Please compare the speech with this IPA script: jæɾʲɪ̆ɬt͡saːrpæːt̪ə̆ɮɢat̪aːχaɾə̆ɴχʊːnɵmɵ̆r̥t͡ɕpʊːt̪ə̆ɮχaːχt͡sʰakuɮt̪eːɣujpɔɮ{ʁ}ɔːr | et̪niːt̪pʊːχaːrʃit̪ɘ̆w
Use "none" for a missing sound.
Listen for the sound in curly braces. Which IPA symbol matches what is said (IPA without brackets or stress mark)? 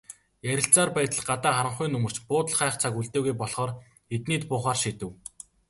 χ